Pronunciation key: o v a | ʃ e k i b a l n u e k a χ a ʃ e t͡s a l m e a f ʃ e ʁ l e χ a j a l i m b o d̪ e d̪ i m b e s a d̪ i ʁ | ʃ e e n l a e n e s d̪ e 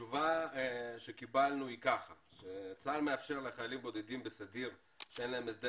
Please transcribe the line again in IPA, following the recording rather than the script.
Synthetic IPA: u v a | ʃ e k i b a l n u i k a χ a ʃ e t͡s a l m e a f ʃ e ʁ l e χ a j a l i m b o d̪ e d̪ i m b e s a d̪ i ʁ | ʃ e e n l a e m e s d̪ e